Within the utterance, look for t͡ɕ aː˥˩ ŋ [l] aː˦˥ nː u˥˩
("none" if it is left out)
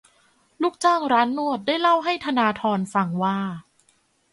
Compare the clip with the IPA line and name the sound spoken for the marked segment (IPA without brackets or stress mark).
ɾ